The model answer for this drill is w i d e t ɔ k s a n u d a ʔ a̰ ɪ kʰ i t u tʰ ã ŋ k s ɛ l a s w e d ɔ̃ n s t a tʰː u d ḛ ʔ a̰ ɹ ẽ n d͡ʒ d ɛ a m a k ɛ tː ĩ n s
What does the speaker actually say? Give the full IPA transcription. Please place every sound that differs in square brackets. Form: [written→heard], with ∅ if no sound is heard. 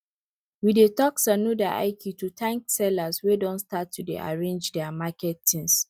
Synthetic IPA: w i d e t ɔ k s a n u d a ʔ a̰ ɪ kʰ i t u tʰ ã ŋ k s ɛ l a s w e d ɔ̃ n s t a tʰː u d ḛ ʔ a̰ ɹ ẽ n d͡ʒ d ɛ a m a k ɛ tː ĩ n s